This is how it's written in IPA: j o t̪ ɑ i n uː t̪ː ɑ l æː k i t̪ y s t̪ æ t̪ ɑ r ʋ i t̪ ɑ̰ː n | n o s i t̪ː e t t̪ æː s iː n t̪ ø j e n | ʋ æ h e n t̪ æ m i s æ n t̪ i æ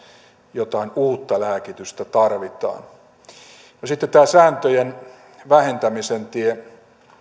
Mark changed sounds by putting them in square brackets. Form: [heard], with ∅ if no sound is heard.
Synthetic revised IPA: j o t̪ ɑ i n uː t̪ː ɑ l æː k i t̪ y s t̪ æ t̪ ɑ r ʋ i t̪ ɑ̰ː n | n o s i t̪ː e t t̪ æː s [æː] n t̪ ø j e n | ʋ æ h e n t̪ æ m i s [e] n t̪ i [e]